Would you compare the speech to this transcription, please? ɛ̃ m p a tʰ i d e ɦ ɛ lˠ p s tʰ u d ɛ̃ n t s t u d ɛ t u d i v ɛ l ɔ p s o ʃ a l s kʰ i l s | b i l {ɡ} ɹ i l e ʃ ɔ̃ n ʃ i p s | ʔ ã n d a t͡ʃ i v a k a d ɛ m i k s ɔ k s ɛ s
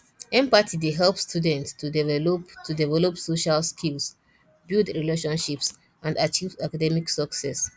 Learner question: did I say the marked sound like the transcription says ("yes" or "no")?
no